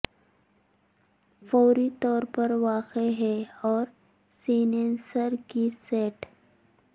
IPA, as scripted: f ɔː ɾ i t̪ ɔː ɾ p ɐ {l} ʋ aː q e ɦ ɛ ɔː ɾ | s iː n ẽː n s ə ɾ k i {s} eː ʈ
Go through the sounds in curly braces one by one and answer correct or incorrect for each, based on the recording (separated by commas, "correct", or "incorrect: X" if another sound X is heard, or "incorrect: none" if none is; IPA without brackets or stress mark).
incorrect: ɾ, correct